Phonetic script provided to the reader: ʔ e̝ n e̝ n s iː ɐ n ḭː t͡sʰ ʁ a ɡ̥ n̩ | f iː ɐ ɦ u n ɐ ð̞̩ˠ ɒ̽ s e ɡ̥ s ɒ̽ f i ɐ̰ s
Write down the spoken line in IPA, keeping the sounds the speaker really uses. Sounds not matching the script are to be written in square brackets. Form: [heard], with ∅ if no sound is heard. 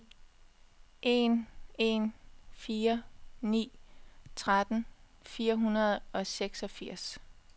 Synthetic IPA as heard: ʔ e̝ n e̝ n [f] iː ɐ n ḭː t͡sʰ ʁ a [d̥] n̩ | f iː ɐ ɦ u n ɐ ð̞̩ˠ ɒ̽ s e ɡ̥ s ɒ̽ f i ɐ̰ s

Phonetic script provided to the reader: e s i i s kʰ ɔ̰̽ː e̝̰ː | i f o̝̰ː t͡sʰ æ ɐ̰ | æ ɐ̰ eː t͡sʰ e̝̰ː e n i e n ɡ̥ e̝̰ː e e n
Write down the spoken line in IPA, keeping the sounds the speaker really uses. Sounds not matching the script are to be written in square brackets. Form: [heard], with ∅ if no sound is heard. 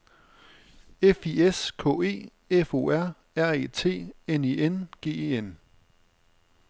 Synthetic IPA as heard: e [f] i [e] s kʰ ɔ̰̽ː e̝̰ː | [e] f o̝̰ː [∅] æ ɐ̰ | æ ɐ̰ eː t͡sʰ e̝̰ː e n i e n ɡ̥ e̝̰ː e e n

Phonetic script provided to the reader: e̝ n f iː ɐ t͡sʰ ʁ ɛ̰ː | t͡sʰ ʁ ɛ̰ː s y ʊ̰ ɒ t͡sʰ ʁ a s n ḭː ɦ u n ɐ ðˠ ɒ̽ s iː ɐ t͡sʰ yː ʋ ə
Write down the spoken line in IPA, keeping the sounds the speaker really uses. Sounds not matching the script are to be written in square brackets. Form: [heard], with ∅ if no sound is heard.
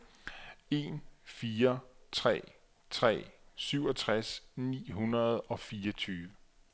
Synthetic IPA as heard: e̝ n f iː ɐ t͡sʰ ʁ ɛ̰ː | t͡sʰ ʁ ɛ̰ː s y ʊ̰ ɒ t͡sʰ ʁ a s n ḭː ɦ u n ɐ ðˠ ɒ̽ [f] iː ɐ t͡sʰ yː ʋ ə

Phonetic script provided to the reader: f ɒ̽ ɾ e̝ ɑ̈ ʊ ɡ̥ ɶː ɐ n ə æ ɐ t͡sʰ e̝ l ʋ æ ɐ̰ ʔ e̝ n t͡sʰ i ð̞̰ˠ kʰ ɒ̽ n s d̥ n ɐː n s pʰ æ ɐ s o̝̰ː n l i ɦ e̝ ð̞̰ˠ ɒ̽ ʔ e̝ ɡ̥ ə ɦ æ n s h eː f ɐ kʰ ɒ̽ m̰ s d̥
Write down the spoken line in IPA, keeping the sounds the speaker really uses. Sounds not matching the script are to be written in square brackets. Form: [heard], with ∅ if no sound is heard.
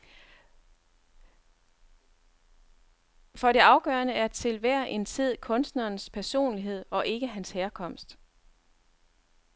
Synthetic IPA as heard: f ɒ̽ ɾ e̝ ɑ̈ ʊ ɡ̥ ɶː ɐ n ə æ ɐ t͡sʰ e̝ l ʋ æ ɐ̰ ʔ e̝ n t͡sʰ i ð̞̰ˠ kʰ [ɔ̽] n s d̥ n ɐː n s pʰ æ ɐ s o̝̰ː n l i ɦ e̝ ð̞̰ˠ ɒ̽ ʔ e̝ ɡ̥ ə ɦ æ n s h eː [∅] ɐ kʰ ɒ̽ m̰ s d̥

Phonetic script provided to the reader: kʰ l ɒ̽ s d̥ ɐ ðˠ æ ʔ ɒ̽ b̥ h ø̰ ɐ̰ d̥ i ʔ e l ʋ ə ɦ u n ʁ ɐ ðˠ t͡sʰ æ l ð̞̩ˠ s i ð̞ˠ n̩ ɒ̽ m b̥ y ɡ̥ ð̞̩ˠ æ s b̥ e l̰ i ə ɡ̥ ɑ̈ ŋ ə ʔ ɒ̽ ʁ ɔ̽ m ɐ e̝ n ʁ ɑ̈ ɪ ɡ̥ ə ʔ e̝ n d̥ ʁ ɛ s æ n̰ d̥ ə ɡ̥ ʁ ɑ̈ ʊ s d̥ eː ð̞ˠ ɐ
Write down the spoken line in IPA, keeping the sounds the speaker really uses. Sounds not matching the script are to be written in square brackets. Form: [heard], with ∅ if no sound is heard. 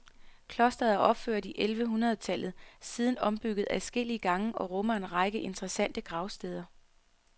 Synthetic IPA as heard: kʰ l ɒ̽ s d̥ ɐ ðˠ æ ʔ ɒ̽ b̥ [f] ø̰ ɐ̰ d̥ i ʔ e l ʋ ə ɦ u n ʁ ɐ ðˠ t͡sʰ æ l ð̞̩ˠ s i ð̞ˠ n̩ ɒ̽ m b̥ y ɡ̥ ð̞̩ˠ æ s [ɡ̥] e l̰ i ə ɡ̥ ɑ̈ ŋ ə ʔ ɒ̽ ʁ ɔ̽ m ɐ e̝ n ʁ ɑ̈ ɪ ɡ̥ ə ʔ e̝ n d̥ ʁ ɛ s æ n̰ d̥ ə ɡ̥ ʁ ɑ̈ ʊ s d̥ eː ð̞ˠ ɐ

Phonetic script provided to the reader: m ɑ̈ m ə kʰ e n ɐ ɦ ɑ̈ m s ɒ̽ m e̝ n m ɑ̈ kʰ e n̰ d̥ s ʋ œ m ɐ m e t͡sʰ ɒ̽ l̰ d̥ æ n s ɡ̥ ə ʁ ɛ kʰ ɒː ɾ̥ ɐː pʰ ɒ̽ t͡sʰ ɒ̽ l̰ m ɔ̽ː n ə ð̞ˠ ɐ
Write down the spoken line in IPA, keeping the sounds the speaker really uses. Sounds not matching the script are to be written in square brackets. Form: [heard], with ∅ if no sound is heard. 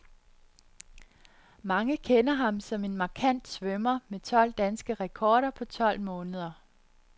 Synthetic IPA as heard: m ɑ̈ [ŋ] ə kʰ e n ɐ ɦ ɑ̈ m s ɒ̽ m e̝ n m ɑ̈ kʰ [æ] n̰ d̥ s ʋ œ m ɐ m e t͡sʰ ɒ̽ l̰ d̥ æ n s ɡ̥ ə ʁ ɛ kʰ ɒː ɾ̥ [ɐ] pʰ ɒ̽ t͡sʰ ɒ̽ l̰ m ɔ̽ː n ə ð̞ˠ ɐ

